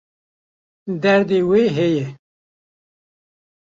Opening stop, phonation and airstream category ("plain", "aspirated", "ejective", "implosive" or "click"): plain